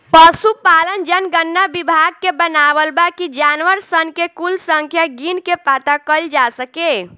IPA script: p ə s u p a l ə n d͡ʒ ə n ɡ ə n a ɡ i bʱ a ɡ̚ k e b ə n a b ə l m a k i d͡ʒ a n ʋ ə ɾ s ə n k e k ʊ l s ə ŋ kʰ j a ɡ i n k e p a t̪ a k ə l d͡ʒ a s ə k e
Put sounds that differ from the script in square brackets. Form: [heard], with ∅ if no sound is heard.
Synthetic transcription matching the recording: p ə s u p a l ə n d͡ʒ ə n ɡ ə [nː] a [b] i bʱ a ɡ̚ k e b ə n a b ə l [b] a k i d͡ʒ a n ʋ ə ɾ s ə n k e k [u] l s ə ŋ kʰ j a ɡ i n k e p a t̪ a k ə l d͡ʒ a s ə k e